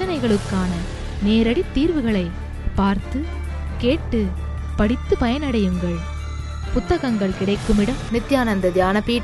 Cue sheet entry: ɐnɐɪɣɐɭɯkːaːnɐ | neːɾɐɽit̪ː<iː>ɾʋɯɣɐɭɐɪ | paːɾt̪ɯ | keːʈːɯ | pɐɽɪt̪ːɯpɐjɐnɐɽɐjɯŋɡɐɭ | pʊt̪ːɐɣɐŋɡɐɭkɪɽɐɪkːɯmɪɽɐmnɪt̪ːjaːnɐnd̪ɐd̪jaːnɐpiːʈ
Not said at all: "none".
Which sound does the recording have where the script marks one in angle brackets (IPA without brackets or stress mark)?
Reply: iː